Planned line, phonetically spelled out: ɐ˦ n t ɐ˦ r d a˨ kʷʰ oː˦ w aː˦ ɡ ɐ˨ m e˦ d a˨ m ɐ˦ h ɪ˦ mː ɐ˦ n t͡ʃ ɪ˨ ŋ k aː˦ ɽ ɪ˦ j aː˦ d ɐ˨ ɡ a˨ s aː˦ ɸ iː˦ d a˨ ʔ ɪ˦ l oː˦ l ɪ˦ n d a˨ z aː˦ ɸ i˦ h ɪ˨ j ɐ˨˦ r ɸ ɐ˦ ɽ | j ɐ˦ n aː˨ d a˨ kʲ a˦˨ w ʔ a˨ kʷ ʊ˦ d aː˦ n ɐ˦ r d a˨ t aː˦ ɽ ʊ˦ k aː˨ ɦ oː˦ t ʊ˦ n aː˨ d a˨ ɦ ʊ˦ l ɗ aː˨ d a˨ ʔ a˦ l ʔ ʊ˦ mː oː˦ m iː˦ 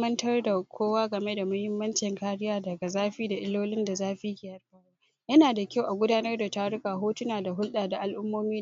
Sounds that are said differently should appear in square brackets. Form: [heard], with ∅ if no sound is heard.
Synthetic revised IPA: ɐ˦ n t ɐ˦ r d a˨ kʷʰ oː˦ w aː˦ ɡ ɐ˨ m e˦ d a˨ m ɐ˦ h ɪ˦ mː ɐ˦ n t͡ʃ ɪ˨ ŋ k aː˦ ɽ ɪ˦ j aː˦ d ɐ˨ ɡ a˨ [z] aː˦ ɸ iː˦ d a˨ ʔ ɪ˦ l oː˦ l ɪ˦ n d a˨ z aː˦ ɸ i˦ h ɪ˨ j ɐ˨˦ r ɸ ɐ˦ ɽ | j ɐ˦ n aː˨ d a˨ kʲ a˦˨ w ʔ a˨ [ɡʷ] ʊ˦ d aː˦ n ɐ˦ r d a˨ t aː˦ ɽ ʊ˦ k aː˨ ɦ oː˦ t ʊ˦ n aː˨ d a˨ ɦ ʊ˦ l ɗ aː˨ d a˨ ʔ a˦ l ʔ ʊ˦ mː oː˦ m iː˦